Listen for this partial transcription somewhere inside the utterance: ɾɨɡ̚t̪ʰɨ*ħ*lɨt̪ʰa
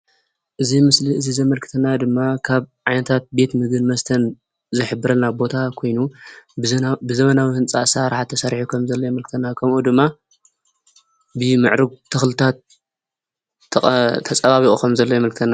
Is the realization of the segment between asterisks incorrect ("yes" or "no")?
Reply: yes